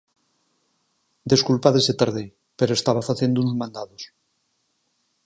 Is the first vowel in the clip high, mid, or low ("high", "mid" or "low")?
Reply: mid